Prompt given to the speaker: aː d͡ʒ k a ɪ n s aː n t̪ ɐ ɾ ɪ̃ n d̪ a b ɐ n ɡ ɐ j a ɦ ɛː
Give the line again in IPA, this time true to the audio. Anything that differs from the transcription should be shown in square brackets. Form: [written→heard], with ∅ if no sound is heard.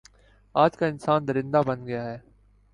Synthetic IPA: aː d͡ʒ k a ɪ n s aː n [t̪→d̪] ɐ ɾ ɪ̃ n d̪ a b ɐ n ɡ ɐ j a ɦ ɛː